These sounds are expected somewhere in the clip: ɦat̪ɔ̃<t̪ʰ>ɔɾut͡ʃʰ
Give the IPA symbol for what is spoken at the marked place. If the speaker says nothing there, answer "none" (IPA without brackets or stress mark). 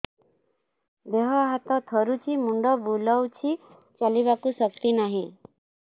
t̪ʰ